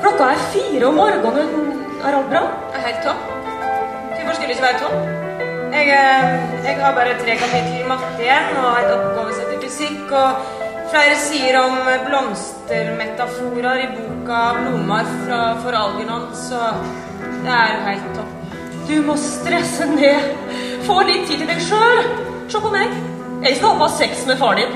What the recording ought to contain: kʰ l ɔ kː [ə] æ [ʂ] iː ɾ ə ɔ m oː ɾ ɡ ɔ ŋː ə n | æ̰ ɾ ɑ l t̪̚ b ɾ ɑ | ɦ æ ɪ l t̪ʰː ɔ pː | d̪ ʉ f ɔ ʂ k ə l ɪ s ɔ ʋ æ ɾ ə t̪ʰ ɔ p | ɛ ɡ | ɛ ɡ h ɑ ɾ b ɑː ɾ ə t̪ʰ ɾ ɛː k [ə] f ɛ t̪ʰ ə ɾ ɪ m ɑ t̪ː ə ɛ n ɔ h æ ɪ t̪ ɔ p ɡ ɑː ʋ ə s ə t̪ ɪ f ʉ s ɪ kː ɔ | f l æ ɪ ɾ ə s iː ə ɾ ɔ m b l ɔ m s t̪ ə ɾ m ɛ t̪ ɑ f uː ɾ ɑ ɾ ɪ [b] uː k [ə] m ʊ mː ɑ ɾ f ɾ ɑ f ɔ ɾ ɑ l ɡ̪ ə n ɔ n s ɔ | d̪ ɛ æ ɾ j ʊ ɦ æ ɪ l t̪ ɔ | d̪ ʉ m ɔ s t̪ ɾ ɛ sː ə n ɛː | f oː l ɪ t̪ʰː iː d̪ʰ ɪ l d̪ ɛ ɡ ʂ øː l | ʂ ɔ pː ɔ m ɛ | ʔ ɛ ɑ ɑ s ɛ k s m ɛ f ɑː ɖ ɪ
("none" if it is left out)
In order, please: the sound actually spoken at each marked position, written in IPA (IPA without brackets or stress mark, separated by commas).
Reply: ɑ, f, ɑ, b, ɑ